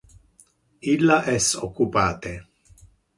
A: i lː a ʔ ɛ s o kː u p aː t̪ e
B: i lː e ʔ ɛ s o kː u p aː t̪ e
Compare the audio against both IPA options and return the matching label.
A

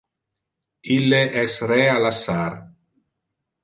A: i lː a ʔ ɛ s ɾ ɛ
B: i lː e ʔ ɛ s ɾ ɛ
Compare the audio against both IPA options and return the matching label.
B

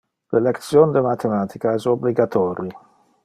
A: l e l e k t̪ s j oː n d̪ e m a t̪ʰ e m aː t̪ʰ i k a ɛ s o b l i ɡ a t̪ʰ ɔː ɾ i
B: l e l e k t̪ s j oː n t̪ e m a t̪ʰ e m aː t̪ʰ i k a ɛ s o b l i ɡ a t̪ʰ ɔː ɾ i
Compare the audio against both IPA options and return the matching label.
A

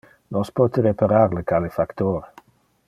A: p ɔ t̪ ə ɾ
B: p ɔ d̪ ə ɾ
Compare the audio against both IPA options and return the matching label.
A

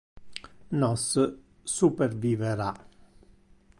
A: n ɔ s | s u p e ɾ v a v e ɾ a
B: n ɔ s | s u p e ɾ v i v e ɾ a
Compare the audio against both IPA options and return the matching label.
B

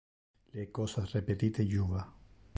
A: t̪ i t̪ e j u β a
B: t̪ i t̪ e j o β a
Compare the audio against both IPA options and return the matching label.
A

